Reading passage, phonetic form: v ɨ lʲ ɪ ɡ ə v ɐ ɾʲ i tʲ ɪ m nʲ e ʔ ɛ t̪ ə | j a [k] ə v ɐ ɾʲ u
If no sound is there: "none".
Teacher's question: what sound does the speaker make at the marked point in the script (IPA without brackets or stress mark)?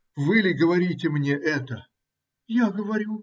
ɡ